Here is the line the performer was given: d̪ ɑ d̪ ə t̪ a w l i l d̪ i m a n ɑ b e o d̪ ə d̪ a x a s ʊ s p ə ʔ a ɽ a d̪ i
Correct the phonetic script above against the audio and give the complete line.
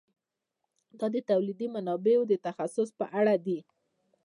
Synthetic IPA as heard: d̪ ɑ d̪ ə t̪ a w l i d̪ i m a n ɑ b e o d̪ ə t̪ a x a s ʊ s p ə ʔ a ɽ a d̪ i